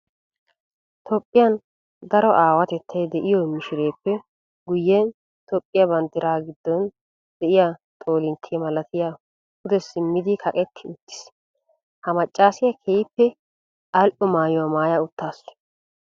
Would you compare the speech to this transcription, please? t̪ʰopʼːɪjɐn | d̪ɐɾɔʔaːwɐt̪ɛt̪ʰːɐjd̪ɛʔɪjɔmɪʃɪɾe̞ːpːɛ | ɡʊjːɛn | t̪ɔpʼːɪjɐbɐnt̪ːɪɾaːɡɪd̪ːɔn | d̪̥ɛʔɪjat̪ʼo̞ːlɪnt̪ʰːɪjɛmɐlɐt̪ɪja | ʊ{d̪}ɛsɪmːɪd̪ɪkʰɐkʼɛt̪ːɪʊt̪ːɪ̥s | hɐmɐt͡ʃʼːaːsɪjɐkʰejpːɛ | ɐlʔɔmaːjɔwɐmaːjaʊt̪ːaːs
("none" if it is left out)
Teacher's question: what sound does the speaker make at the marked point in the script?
d̪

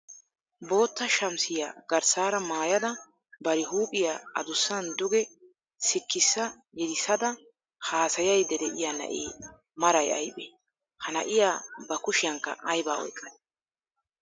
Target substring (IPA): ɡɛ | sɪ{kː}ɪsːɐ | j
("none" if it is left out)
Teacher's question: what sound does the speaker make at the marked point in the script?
kː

